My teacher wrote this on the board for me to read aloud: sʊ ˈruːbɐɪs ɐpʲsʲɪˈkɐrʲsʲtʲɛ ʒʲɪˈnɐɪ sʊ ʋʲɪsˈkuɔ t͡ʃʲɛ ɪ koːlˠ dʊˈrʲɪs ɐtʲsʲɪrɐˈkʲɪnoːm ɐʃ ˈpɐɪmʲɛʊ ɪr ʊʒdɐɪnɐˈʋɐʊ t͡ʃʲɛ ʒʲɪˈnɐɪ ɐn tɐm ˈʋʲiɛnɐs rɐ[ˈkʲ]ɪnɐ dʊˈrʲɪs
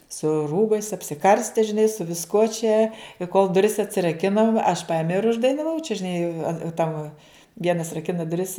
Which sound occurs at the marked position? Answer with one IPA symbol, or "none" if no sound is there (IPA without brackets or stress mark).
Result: kʲ